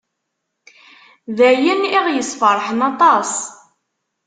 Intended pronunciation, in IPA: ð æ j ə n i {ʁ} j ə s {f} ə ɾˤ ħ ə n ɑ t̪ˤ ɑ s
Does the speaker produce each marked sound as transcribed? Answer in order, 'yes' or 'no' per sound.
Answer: yes, yes

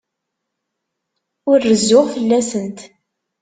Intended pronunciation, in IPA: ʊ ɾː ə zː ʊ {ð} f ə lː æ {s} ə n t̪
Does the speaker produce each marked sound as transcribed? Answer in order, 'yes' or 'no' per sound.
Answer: no, yes

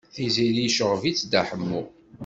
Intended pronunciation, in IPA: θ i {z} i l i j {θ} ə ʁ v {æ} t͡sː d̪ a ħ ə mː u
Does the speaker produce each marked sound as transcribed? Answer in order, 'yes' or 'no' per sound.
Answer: yes, no, no

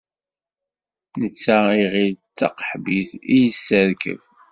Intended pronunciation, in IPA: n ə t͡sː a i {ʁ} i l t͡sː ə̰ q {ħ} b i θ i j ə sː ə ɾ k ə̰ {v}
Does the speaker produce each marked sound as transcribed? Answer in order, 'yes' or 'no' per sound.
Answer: yes, yes, yes

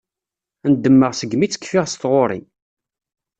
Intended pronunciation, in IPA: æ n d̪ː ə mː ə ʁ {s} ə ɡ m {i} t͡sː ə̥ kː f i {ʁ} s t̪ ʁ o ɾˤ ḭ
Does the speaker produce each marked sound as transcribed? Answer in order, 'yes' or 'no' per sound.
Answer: yes, yes, yes

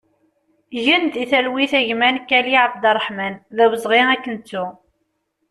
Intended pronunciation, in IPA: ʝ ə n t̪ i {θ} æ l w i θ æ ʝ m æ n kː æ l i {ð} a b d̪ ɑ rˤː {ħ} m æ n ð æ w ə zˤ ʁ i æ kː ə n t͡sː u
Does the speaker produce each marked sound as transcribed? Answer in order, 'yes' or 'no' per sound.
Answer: yes, no, yes

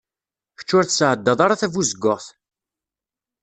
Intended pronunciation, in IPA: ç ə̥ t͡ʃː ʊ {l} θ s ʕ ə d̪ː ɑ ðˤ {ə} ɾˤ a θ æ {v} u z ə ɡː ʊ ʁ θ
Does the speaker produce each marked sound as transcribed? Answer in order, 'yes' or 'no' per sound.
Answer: no, no, yes

